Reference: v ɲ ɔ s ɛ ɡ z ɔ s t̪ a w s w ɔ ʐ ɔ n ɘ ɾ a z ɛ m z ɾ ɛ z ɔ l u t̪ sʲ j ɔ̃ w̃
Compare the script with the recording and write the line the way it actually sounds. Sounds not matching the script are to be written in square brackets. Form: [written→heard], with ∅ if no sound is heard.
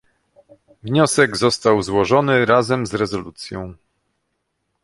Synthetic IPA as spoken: v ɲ ɔ s ɛ ɡ z ɔ s t̪ a w [s→z] w ɔ ʐ ɔ n ɘ ɾ a z ɛ m z ɾ ɛ z ɔ l u t̪ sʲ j ɔ̃ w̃

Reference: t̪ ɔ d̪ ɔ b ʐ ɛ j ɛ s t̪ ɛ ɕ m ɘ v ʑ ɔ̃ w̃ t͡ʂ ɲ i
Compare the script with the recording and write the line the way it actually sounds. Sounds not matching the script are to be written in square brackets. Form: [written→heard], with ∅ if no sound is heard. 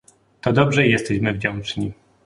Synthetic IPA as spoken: t̪ ɔ d̪ ɔ b ʐ ɛ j ɛ s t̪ ɛ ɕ m ɘ v [ʑ→d͡ʑ] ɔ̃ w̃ t͡ʂ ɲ i

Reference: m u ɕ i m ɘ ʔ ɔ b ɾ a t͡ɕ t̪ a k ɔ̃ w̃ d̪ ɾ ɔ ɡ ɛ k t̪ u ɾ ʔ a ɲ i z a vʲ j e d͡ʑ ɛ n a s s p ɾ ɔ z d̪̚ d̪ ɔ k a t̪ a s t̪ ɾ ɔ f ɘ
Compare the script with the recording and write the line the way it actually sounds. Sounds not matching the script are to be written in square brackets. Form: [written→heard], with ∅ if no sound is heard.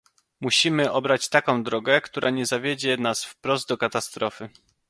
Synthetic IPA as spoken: m u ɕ i m ɘ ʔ ɔ b ɾ a t͡ɕ t̪ a k ɔ̃ w̃ d̪ ɾ ɔ ɡ ɛ k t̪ u ɾ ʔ a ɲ [i→ɛ] z a vʲ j e d͡ʑ ɛ n a s [s→f] p ɾ ɔ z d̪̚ d̪ ɔ k a t̪ a s t̪ ɾ ɔ f ɘ

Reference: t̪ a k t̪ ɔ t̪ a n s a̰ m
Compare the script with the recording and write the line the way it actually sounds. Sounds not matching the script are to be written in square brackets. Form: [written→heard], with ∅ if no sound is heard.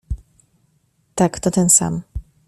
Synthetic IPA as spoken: t̪ a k t̪ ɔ t̪ [a→ɛ] n s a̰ m

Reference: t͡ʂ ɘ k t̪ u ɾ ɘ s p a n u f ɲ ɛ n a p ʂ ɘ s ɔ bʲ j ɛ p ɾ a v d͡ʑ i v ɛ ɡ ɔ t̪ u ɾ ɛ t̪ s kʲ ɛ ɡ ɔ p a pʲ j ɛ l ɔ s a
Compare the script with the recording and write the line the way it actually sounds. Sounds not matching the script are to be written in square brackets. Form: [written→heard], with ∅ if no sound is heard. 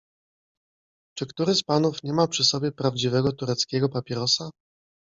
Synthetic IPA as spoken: t͡ʂ ɘ k t̪ u ɾ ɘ s p a n u f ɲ ɛ [n→m] a p ʂ ɘ s ɔ bʲ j ɛ p ɾ a v d͡ʑ i v ɛ ɡ ɔ t̪ u ɾ ɛ t̪ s kʲ ɛ ɡ ɔ p a pʲ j ɛ [l→ɾ] ɔ s a

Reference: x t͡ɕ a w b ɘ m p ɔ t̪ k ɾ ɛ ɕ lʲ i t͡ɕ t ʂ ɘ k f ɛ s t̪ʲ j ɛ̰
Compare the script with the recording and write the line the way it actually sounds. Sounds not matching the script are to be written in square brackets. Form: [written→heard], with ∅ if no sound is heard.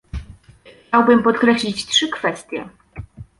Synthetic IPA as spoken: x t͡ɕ a w b ɘ m p ɔ t̪ k ɾ ɛ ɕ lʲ i t͡ɕ t ʂ ɘ k f ɛ s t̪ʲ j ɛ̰

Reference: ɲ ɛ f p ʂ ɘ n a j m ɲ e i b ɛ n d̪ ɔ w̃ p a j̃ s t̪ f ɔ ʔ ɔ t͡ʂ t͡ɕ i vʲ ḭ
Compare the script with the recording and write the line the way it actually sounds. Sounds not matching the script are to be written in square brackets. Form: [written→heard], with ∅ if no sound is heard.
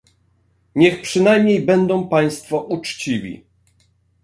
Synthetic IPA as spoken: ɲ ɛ [f→x] p ʂ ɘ n a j m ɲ e [i→j] b ɛ n d̪ [ɔ→ɔ̃] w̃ p a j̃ s t̪ f ɔ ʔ [ɔ→u] t͡ʂ t͡ɕ i vʲ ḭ

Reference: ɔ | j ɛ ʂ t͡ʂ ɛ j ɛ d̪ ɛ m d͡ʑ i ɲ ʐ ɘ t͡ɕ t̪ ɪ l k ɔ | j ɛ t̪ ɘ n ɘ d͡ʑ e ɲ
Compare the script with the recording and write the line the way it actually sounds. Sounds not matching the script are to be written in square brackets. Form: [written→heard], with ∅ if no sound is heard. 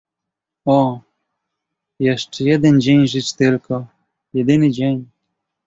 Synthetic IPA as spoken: ɔ | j ɛ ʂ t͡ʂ ɛ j ɛ d̪ ɛ [m→n] d͡ʑ [i→e] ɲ ʐ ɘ t͡ɕ t̪ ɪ l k ɔ | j ɛ [t̪→d̪] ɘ n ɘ d͡ʑ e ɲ

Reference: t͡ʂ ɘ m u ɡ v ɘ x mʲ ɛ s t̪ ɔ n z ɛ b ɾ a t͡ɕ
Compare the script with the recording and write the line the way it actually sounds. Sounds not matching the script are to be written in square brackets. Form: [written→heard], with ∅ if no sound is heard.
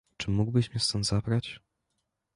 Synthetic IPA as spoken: t͡ʂ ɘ m u ɡ [v→b] ɘ [x→ɕ] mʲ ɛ s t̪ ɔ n z [ɛ→a] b ɾ a t͡ɕ

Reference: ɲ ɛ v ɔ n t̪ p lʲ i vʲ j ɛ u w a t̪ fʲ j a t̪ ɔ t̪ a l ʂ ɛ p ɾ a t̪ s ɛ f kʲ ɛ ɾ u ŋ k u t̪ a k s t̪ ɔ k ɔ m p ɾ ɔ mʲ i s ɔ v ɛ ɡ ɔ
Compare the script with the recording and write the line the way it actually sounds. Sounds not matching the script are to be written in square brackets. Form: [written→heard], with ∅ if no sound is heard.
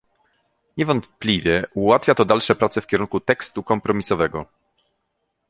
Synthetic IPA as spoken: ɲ ɛ v ɔ n t̪ p lʲ i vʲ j ɛ u w a t̪ fʲ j a t̪ ɔ [t̪→d̪] a l ʂ ɛ p ɾ a t̪ s ɛ f kʲ ɛ ɾ u ŋ k u t̪ [a→ɛ] k s t̪ [ɔ→u] k ɔ m p ɾ ɔ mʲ i s ɔ v ɛ ɡ ɔ

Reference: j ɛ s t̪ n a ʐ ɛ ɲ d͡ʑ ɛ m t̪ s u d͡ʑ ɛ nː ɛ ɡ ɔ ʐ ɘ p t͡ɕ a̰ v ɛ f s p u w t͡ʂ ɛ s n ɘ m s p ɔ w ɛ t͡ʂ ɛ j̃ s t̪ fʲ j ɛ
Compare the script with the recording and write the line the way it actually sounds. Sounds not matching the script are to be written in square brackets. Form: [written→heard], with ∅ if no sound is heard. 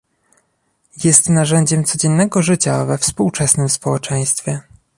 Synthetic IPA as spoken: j ɛ s t̪ n a ʐ ɛ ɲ d͡ʑ ɛ m t̪ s [u→ɔ] d͡ʑ ɛ nː ɛ ɡ ɔ ʐ ɘ [p→∅] t͡ɕ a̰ v ɛ f s p u w t͡ʂ ɛ s n ɘ m s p ɔ w ɛ t͡ʂ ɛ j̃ s t̪ fʲ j ɛ

